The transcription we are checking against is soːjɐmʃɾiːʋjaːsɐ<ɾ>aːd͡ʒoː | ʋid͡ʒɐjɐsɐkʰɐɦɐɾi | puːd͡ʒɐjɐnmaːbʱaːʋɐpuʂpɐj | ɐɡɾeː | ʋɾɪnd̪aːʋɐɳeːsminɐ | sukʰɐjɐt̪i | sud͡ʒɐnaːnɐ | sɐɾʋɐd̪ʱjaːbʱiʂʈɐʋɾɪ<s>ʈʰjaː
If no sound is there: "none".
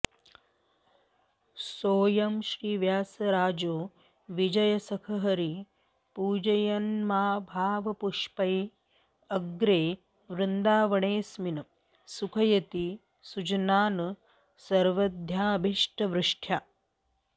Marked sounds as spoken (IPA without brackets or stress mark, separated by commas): ɾ, ʂ